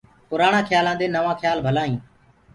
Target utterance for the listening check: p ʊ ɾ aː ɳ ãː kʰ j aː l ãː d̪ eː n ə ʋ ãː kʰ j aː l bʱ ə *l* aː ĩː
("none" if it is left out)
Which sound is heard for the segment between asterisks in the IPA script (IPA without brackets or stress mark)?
l